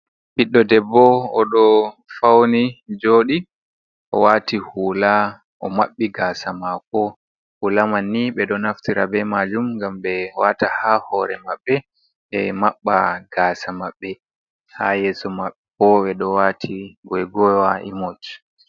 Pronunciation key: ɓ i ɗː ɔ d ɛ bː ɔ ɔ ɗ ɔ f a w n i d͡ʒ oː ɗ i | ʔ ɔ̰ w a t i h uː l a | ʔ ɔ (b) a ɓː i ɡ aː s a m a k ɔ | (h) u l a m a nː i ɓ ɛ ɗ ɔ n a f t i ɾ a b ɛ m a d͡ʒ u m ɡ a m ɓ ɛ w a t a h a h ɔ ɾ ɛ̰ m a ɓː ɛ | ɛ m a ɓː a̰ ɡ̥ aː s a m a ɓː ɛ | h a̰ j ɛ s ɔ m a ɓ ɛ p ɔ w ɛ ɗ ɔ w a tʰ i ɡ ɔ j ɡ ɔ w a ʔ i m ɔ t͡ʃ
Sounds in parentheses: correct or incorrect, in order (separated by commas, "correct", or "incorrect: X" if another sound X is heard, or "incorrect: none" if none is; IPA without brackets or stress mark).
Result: incorrect: m, correct